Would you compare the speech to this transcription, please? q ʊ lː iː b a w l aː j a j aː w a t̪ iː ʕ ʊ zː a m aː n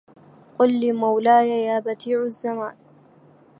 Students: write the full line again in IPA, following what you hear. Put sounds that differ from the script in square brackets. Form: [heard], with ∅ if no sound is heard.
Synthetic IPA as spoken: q ʊ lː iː [m] a w l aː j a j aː [b] a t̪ iː ʕ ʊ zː a m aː n